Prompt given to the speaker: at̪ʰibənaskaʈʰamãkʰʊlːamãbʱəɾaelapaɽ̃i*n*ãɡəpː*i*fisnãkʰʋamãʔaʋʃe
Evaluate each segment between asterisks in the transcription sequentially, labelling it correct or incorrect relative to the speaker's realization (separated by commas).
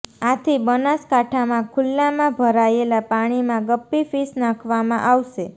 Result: incorrect, correct